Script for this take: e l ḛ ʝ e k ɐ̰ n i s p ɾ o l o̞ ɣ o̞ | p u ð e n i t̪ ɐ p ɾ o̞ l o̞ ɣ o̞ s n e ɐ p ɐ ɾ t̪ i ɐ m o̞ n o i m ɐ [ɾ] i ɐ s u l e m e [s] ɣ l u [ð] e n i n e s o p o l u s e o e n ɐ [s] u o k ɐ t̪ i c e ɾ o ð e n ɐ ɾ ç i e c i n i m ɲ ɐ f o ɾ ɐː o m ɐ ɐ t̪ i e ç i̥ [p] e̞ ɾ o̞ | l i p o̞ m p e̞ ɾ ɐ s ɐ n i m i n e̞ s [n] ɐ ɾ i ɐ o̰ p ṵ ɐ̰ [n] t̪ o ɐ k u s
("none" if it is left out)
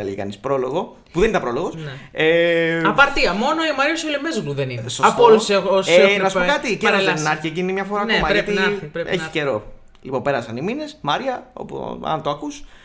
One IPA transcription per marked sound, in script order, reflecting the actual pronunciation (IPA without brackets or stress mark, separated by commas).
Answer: ɾ, z, ð, s, c, m, n